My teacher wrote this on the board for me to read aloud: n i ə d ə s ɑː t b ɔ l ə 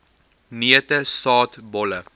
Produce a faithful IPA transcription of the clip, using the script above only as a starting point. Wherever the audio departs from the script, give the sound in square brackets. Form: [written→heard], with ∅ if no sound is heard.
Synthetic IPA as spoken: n i ə [d→t] ə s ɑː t b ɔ l ə